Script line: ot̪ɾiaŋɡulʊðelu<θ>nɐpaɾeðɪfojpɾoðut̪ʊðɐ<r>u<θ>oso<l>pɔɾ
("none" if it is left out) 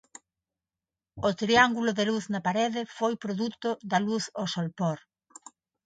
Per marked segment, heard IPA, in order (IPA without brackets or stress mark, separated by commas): θ, l, θ, l